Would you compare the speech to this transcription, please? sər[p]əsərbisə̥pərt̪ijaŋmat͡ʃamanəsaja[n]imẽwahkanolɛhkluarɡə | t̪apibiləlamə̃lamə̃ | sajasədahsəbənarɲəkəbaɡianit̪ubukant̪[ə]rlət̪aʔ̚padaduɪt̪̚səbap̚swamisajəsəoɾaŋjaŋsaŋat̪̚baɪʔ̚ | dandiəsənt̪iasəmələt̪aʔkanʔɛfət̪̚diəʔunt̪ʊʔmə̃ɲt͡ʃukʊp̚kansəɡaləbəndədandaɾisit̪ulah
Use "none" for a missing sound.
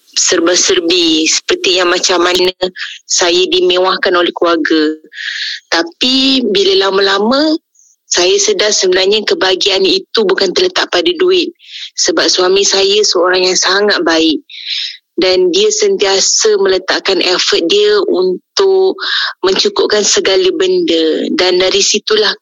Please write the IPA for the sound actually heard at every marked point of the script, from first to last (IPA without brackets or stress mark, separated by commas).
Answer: b, d, ə